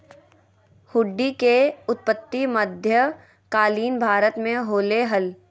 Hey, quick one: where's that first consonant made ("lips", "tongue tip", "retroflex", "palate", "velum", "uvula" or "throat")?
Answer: throat